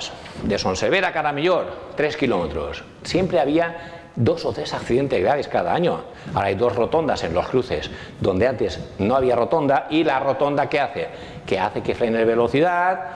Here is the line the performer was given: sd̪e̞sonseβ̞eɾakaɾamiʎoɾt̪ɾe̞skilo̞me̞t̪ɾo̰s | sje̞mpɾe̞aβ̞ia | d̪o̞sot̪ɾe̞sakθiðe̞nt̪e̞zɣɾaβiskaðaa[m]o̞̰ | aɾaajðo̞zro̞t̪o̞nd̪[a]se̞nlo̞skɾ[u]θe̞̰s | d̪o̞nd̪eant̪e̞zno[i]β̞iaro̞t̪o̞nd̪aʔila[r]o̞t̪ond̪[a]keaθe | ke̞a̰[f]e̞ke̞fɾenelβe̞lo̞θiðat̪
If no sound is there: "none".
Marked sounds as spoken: ɲ, a, u, a, r, a, θ

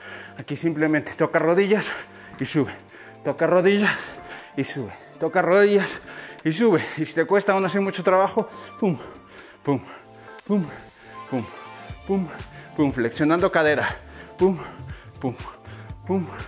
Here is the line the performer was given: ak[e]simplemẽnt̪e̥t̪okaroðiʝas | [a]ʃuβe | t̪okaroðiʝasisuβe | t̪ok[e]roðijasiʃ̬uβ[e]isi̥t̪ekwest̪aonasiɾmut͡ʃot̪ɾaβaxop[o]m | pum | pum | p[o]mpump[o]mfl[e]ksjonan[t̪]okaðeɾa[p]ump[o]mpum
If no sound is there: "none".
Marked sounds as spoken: i, i, a, e, u, u, u, e, d̪, p, u

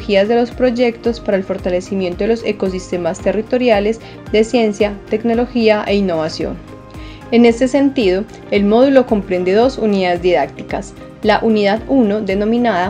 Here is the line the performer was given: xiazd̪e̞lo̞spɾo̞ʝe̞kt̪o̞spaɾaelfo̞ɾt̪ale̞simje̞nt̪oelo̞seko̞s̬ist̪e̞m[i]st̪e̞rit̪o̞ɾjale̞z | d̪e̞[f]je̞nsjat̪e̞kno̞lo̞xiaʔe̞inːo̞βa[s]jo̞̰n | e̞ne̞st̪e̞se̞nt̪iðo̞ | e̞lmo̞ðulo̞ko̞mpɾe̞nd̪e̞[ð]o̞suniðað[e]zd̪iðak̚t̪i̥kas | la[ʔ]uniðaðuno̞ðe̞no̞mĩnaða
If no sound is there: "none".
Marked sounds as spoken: a, s, s, ð, e, ʔ

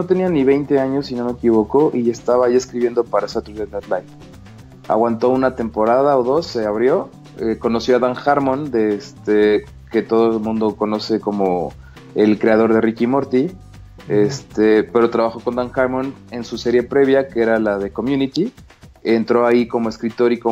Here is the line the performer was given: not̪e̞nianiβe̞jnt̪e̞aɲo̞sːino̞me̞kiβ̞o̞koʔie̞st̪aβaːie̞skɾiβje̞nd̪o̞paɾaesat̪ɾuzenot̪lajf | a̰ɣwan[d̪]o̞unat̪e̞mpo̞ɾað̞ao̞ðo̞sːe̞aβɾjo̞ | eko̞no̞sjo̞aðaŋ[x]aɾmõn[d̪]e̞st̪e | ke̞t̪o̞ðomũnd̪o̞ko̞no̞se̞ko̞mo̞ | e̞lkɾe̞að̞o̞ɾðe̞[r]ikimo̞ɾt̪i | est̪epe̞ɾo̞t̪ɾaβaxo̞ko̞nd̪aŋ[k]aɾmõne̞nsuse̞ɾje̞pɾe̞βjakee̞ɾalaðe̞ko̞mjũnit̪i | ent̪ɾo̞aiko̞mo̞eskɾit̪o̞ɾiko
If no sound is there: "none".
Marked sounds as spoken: t̪, x, d̪, r, x

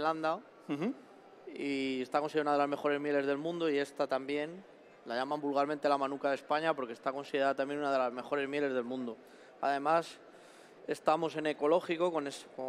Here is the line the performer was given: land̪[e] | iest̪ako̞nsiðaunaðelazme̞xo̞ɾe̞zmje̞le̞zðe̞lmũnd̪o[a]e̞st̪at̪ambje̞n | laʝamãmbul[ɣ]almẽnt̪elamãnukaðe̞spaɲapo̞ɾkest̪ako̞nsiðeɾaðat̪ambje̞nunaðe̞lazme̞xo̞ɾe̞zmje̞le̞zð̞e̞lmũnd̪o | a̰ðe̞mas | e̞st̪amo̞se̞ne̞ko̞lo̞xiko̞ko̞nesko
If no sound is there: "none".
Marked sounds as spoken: a, i, ɣ

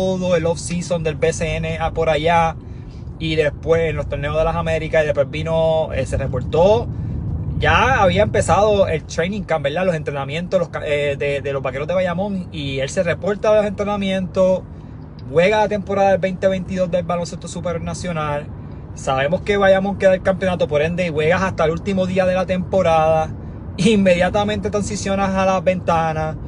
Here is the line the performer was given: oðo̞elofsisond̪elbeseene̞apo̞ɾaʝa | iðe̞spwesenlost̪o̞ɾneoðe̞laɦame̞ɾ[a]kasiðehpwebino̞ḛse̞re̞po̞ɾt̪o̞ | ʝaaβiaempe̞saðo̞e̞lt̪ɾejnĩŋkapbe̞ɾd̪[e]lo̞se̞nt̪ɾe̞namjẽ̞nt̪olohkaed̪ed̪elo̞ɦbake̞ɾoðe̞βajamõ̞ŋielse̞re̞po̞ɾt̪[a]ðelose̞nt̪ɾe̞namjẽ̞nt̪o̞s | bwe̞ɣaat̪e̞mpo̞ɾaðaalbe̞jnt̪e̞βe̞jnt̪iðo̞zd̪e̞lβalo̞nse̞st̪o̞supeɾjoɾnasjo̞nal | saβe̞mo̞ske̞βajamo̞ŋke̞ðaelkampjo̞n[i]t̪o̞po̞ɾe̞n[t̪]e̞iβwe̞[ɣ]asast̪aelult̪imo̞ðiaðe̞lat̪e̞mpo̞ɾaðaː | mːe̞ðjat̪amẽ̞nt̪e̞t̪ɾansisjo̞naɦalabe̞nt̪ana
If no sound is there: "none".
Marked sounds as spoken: i, a, a, a, d̪, ɣ

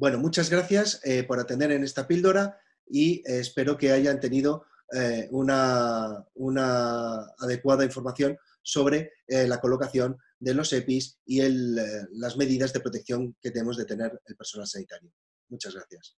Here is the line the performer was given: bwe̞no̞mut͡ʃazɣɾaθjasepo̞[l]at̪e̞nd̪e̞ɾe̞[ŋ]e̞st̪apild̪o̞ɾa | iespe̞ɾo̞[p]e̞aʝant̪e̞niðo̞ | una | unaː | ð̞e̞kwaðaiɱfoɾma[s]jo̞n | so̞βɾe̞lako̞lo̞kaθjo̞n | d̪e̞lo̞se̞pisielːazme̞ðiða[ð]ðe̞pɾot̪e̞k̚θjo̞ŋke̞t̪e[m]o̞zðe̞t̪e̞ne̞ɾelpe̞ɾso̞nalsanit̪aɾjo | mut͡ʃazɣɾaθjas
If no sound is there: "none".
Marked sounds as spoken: ɾ, n, k, θ, z, m

